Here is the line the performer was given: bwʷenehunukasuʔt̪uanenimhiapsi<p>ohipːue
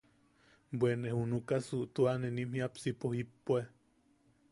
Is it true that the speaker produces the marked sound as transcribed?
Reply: yes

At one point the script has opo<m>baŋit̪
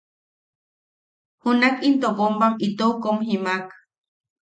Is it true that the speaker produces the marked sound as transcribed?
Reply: yes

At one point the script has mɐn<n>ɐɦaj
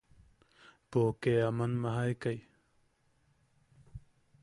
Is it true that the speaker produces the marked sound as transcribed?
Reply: no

